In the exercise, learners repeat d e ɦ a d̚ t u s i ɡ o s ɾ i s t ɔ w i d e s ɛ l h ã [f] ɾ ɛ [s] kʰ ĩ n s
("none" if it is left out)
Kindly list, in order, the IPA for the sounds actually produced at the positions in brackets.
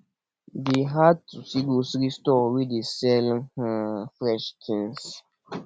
f, ʃ

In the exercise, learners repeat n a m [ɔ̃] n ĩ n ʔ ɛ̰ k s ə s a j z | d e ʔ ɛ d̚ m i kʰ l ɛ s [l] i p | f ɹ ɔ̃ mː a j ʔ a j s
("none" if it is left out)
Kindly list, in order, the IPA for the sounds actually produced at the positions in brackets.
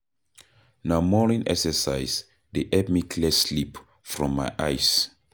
ɔ, l

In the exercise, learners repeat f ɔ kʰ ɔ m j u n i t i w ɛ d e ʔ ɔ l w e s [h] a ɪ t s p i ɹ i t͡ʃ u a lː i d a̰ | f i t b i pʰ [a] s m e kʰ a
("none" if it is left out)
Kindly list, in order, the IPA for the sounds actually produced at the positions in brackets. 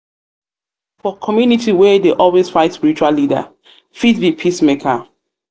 f, i

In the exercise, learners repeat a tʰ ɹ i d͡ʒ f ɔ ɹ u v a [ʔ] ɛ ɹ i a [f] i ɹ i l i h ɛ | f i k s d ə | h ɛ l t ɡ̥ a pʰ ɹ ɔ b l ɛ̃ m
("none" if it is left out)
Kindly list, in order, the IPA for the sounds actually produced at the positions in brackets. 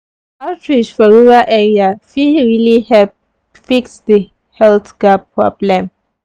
ʔ, f

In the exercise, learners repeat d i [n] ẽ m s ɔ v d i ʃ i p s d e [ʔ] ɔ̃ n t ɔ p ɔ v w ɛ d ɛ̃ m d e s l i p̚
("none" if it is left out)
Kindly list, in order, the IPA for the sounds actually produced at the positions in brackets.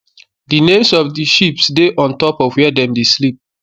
n, ʔ

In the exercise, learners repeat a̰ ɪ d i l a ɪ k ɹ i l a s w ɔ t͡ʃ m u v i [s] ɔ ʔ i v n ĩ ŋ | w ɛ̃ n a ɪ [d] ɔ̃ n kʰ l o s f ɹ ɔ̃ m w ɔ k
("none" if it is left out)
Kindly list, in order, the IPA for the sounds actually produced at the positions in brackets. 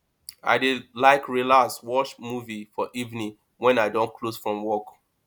f, d

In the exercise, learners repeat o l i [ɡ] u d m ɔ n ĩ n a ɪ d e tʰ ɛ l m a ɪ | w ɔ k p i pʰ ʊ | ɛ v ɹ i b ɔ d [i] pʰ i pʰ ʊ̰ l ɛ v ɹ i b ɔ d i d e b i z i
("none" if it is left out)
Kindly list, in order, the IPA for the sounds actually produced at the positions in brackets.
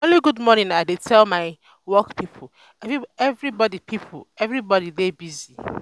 ɡ, i

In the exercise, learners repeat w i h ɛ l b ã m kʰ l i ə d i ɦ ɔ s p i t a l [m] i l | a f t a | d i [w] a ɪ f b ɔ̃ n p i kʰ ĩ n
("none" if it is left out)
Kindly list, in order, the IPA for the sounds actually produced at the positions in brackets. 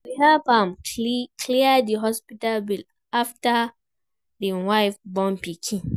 b, w

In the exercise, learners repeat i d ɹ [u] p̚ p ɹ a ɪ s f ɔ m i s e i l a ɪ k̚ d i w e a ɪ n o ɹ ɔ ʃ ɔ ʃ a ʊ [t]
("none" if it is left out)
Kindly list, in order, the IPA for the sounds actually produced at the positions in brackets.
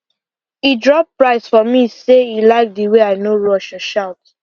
ɔ, t

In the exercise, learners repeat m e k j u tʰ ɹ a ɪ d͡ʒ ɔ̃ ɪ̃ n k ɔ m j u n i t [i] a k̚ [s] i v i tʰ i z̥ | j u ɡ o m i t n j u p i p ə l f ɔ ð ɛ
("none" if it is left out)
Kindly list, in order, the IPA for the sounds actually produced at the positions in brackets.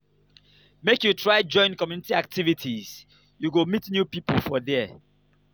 i, t

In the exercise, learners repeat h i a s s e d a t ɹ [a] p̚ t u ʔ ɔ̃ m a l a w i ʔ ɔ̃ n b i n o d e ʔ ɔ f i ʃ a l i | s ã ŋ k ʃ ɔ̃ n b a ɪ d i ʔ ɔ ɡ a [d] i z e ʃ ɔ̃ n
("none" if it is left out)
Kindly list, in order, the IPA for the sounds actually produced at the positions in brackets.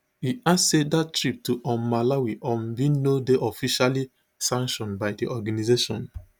i, n

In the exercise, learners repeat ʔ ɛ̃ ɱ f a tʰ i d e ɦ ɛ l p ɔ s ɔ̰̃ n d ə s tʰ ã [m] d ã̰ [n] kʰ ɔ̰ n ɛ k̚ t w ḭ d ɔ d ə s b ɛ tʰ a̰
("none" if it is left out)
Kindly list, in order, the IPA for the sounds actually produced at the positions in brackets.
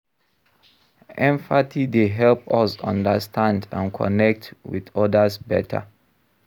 n, n

